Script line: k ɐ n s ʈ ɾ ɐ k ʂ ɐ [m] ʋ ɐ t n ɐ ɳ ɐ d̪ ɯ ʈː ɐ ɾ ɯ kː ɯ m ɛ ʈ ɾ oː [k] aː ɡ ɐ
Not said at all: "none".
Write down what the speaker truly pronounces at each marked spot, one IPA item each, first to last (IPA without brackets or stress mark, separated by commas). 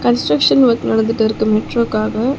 n, k